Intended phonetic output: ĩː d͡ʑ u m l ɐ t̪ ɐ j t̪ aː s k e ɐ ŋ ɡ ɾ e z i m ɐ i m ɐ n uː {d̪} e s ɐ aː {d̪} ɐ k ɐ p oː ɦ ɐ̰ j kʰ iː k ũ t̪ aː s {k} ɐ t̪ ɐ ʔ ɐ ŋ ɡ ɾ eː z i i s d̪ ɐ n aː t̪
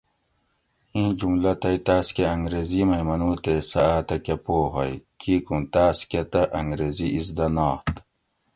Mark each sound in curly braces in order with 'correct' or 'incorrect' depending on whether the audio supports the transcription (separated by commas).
incorrect, incorrect, correct